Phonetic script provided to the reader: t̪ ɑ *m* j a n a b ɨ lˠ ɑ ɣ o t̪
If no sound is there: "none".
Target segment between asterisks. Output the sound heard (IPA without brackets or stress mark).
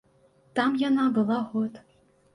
m